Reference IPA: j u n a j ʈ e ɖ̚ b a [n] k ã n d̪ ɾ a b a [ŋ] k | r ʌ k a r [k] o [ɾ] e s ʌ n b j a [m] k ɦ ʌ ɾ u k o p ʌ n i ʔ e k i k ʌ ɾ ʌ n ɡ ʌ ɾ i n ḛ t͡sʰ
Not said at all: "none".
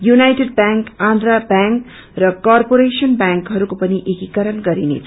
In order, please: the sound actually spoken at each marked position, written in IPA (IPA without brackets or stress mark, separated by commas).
ŋ, ŋ, p, ɾ, ŋ